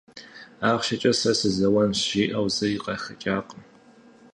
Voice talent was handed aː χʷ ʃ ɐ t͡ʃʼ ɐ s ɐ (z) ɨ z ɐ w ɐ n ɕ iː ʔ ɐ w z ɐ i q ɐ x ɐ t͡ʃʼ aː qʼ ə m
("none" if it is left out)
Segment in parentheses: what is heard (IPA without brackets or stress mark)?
s